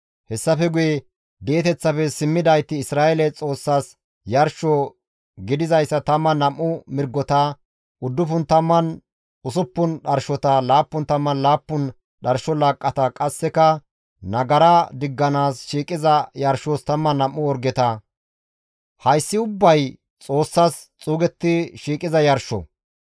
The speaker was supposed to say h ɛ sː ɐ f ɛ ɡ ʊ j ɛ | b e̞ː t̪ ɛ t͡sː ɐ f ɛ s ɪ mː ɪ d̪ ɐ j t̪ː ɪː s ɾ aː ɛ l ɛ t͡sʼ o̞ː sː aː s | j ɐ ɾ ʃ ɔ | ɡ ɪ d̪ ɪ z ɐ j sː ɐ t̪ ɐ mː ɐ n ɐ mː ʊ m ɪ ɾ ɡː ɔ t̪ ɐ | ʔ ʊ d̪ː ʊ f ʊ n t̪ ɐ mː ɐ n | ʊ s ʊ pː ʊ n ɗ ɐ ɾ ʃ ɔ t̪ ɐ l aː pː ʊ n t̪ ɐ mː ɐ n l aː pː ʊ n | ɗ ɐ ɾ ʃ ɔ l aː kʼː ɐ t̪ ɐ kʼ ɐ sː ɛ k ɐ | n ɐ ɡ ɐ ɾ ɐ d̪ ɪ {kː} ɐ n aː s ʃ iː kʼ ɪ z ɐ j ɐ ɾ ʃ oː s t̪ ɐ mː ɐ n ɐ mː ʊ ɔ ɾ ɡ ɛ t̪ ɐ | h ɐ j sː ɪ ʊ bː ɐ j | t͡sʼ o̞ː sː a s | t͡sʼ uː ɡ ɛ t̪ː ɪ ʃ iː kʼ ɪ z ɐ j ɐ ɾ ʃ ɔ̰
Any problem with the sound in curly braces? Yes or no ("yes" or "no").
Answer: yes